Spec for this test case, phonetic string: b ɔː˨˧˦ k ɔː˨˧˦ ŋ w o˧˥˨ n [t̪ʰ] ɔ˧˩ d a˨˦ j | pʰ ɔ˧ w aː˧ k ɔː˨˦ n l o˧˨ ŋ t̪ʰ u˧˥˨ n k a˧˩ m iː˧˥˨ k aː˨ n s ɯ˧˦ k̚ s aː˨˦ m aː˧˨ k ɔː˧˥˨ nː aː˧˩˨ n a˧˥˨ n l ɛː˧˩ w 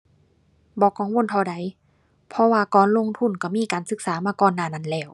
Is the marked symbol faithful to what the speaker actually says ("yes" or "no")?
yes